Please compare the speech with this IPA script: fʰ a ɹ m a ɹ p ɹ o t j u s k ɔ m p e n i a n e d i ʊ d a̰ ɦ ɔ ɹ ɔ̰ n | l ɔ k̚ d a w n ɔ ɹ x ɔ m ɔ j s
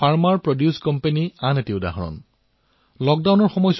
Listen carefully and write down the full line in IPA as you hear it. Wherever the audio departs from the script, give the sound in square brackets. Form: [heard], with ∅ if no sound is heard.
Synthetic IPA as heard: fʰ a ɹ m a ɹ p ɹ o [d] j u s k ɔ m p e n i a n e [t] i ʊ d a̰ ɦ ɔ ɹ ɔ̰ n | l ɔ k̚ d a w n ɔ ɹ x ɔ m ɔ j s